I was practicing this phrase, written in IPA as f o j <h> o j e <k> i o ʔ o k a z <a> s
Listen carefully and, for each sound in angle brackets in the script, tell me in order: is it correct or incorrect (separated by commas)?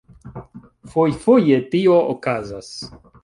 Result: incorrect, incorrect, correct